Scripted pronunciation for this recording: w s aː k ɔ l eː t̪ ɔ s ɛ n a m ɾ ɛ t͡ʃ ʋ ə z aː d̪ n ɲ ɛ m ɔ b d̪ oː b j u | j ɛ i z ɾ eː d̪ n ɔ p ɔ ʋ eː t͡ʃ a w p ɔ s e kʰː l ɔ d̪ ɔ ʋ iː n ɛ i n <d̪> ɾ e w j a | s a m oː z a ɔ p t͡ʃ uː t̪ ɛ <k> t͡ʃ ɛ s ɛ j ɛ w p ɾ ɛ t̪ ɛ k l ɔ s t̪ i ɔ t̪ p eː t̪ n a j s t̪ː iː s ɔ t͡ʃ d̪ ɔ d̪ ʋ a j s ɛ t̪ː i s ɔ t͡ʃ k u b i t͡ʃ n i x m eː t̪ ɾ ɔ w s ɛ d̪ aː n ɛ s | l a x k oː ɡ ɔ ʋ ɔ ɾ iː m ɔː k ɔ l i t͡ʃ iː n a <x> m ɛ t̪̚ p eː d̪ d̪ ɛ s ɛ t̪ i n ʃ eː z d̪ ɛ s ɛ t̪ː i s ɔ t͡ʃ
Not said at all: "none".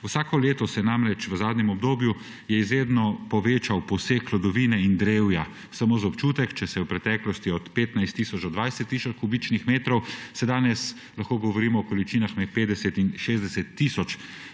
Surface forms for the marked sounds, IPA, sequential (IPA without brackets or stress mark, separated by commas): d̪, k, x